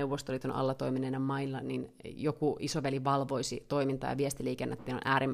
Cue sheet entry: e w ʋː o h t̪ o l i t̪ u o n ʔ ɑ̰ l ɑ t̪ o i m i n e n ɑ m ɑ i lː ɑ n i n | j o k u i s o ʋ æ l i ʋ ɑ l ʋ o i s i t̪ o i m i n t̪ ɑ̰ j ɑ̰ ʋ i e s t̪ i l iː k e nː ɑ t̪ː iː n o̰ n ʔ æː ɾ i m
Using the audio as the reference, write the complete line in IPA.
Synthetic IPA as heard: e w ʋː o s t̪ o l i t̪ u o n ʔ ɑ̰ lː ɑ t̪ o i m i n e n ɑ m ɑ i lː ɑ n i n | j o k u i s o ʋ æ l i ʋ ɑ l ʋ o i s i t̪ o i m i n t̪ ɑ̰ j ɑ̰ ʋ i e s t̪ i l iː k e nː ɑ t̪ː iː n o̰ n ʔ æː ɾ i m